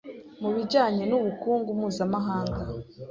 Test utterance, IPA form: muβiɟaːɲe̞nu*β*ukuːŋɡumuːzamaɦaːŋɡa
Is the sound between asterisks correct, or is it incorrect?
correct